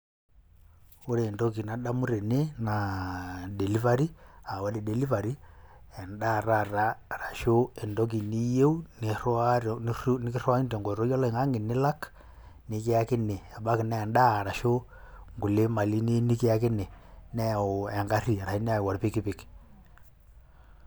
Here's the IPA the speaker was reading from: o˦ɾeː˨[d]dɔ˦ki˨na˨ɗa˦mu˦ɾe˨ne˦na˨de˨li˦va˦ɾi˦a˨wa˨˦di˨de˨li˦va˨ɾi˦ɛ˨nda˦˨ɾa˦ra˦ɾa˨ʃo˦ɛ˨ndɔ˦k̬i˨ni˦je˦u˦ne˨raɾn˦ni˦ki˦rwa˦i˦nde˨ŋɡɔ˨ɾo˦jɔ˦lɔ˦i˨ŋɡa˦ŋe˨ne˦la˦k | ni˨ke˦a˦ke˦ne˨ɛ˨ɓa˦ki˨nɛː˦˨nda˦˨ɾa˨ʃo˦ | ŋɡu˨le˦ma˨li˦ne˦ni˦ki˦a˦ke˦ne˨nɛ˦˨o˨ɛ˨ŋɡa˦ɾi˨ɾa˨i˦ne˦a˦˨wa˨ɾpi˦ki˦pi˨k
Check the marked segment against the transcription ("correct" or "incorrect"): incorrect